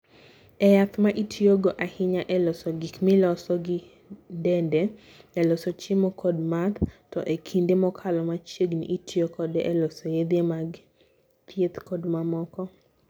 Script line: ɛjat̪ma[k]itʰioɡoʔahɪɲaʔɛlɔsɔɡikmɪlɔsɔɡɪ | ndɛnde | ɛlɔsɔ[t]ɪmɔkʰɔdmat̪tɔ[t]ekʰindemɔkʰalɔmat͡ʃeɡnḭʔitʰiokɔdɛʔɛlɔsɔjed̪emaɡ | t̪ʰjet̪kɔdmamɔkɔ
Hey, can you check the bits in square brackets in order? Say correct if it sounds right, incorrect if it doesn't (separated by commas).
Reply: incorrect, incorrect, incorrect